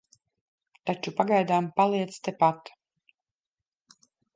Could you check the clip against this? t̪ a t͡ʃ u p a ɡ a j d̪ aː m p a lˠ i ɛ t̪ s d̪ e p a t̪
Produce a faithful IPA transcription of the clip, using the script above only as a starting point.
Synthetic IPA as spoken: t̪ a t͡ʃ u p a ɡ a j d̪ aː m p a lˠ i ɛ t̪ s t̪ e p a t̪